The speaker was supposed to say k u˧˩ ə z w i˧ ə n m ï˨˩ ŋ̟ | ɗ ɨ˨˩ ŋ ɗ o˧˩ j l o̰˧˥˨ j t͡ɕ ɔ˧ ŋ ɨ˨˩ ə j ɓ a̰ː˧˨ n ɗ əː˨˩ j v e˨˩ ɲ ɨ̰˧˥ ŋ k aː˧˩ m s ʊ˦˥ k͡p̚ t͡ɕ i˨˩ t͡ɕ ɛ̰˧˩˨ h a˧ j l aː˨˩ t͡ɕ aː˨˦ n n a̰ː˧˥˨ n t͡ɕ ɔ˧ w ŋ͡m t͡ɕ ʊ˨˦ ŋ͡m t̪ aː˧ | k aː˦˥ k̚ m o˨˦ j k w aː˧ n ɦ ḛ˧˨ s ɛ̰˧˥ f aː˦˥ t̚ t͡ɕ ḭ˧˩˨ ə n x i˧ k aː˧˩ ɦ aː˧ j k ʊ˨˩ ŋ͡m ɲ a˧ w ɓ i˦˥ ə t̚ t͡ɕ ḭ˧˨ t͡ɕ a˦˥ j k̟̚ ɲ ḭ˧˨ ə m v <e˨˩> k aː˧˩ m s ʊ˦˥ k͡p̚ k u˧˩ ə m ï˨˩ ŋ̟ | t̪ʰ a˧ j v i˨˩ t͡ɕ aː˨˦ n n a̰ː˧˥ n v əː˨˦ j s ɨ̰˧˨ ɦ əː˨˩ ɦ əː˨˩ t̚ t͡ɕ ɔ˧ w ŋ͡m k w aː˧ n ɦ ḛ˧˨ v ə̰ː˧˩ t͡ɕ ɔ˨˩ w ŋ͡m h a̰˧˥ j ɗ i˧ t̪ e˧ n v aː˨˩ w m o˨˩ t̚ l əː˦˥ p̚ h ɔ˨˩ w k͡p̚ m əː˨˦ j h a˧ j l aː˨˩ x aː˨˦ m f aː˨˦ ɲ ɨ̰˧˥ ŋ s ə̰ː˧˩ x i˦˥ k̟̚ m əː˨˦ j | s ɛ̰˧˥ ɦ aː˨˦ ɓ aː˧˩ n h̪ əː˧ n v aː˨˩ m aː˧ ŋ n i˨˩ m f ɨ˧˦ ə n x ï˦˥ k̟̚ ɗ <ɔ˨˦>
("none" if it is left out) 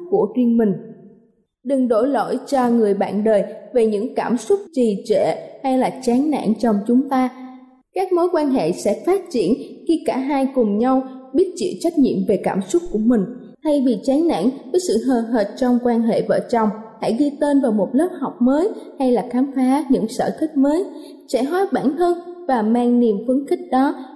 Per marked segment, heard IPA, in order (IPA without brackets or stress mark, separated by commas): e˨˩, ɔ˨˦